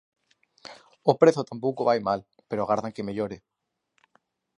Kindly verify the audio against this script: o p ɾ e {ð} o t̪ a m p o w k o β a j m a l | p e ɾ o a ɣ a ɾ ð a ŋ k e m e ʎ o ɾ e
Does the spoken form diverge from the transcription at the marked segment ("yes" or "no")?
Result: yes